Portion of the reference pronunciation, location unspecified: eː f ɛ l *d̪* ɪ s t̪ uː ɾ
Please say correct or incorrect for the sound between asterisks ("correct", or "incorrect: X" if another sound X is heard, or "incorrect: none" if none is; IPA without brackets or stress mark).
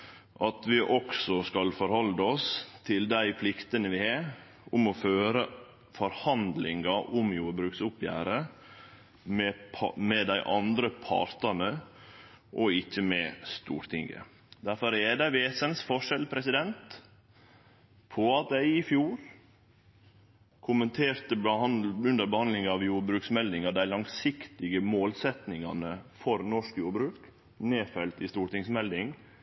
incorrect: t̪